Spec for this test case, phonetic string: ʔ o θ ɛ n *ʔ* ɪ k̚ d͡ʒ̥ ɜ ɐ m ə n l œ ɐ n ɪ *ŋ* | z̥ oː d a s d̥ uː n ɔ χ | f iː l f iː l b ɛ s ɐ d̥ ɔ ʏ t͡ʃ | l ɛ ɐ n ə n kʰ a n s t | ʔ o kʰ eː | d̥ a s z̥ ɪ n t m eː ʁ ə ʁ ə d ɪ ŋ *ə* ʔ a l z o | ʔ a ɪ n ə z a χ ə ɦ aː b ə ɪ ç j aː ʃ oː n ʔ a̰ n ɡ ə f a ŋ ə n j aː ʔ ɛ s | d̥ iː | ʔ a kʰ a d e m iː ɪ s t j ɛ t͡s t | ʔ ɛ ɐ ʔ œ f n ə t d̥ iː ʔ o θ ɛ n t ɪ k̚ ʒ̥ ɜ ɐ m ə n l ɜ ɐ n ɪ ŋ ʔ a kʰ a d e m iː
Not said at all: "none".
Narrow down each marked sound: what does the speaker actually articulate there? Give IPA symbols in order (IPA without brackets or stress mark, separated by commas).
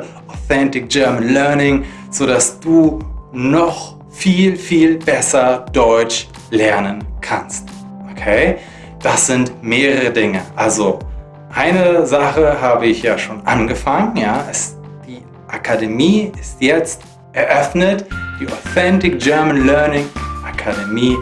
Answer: t, ŋ, ə